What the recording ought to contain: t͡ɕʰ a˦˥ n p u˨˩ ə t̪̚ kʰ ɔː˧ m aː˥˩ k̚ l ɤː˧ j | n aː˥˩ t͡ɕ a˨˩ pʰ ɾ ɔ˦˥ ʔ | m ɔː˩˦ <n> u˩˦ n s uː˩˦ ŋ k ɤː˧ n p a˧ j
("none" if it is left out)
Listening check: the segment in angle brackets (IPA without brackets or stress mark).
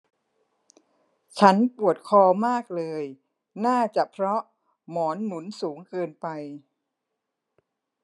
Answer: nː